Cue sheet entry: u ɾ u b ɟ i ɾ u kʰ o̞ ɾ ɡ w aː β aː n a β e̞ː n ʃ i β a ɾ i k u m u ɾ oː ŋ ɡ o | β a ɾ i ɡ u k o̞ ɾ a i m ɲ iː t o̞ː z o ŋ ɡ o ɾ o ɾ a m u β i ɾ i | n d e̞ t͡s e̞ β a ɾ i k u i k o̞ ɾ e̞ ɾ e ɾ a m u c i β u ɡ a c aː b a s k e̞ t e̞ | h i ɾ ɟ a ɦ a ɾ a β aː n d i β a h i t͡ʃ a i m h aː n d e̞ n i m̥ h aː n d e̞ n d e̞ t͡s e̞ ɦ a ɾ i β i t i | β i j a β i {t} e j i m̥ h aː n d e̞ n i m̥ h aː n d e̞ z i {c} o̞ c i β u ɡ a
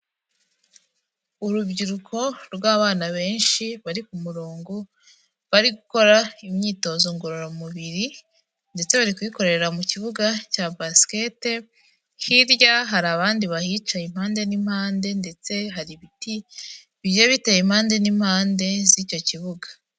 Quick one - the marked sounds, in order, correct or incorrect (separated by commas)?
correct, correct